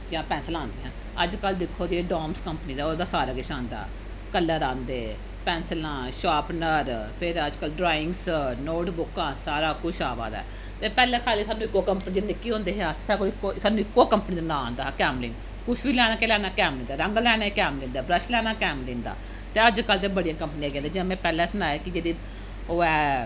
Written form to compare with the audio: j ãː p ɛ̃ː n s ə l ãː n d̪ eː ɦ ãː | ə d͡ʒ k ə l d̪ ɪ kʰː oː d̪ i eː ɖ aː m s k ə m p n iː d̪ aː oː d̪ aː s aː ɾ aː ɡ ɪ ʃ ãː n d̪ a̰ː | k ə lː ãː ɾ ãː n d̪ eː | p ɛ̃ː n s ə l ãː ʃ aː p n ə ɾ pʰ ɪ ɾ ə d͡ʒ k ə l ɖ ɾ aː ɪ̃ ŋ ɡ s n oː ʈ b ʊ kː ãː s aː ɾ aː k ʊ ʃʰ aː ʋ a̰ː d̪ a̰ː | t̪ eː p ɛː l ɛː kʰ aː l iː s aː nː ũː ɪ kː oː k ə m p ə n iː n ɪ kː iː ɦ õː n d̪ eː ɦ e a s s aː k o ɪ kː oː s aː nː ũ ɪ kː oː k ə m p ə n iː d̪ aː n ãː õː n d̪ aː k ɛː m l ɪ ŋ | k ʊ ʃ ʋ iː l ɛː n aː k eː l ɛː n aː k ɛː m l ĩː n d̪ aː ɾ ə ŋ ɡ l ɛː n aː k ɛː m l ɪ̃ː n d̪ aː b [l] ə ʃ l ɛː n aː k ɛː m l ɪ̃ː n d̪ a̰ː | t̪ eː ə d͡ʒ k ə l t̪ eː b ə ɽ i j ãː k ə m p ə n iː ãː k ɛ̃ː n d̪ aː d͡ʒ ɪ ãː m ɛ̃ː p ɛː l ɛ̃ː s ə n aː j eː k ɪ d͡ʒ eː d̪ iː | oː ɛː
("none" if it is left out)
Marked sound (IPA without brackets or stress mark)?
ɾ